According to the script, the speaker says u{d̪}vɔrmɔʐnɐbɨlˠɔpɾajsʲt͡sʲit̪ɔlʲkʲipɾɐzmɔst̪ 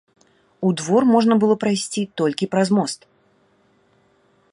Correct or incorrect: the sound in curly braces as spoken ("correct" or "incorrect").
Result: correct